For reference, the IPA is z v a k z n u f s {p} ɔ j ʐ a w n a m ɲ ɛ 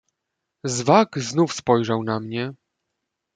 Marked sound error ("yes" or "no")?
no